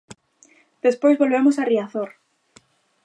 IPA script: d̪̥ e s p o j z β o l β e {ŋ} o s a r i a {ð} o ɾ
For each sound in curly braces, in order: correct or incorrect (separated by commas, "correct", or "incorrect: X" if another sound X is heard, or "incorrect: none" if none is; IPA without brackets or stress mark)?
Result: incorrect: m, incorrect: θ